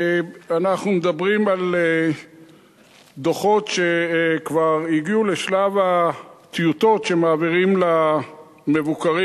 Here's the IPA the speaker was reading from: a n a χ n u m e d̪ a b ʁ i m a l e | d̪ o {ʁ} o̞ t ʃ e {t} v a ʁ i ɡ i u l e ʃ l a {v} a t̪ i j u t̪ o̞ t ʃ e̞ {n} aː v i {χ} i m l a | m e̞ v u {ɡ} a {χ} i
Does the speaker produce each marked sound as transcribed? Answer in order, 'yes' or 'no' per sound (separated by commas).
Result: no, no, yes, no, no, no, no